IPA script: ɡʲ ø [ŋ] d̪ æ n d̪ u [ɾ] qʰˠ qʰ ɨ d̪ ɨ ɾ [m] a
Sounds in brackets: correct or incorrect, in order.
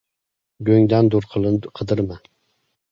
correct, correct, correct

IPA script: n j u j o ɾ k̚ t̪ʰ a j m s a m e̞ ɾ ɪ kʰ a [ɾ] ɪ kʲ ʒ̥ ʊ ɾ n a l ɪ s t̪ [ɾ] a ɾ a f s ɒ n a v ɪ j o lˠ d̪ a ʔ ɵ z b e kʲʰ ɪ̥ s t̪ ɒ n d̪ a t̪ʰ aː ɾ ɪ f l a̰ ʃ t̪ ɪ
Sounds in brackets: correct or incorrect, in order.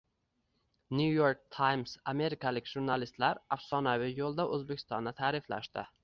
incorrect, incorrect

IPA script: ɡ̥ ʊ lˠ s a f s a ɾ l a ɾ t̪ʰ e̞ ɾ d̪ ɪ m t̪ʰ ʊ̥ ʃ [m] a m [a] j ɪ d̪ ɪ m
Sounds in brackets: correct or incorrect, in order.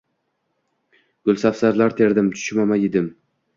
correct, correct

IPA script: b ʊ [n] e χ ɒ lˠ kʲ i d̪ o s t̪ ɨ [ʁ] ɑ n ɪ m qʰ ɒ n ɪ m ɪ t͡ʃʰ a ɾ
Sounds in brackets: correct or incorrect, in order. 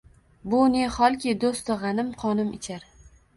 correct, correct

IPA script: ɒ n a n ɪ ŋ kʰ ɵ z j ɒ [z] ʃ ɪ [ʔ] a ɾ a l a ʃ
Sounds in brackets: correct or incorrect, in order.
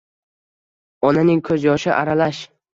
incorrect, correct

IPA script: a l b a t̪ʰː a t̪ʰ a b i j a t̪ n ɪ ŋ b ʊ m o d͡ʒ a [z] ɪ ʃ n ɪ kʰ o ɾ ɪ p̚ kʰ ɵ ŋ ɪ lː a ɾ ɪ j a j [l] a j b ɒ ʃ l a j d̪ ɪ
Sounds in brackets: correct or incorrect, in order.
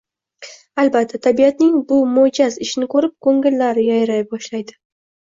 correct, incorrect

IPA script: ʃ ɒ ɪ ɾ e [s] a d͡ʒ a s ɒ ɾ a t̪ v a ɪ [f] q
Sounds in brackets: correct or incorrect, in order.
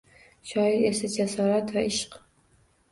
correct, incorrect

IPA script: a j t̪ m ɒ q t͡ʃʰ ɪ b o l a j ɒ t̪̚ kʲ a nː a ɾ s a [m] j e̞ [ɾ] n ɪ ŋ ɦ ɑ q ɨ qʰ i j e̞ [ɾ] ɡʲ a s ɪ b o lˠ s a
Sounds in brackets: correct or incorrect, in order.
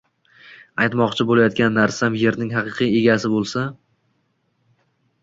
correct, correct, incorrect

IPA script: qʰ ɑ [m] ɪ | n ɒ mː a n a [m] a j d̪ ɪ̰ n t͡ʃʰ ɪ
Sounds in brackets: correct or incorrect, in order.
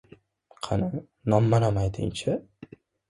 incorrect, correct

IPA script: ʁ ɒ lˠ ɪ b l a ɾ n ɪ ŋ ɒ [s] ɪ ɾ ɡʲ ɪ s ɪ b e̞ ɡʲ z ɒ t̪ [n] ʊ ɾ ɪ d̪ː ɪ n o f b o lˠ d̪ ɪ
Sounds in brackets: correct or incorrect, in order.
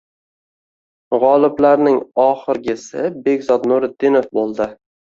incorrect, correct

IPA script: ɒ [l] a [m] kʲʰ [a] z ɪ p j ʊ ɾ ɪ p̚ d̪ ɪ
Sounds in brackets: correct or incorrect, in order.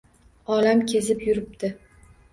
correct, correct, incorrect

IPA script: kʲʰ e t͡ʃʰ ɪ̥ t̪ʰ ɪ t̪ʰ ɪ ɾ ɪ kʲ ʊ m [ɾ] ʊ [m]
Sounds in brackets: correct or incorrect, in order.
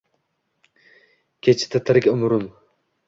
correct, correct

